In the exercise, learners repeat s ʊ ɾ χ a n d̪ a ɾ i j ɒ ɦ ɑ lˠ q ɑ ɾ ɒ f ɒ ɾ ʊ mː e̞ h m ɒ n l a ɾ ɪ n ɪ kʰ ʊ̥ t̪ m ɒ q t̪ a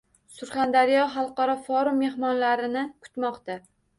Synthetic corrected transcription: s ʊ ɾ χ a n d̪ a ɾ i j ɒ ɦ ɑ lˠ q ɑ ɾ ɒ f ɒ ɾ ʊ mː e̞ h m ɒ n l a ɾ ɪ n ɪ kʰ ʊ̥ t̪ m ɒ q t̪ a